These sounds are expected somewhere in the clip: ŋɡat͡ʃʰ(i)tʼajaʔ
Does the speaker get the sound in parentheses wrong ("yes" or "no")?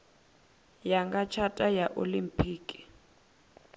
yes